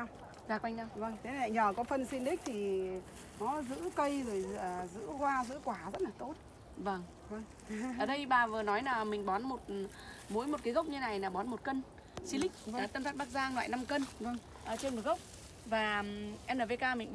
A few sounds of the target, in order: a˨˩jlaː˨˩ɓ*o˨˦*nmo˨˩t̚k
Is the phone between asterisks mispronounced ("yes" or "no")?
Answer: yes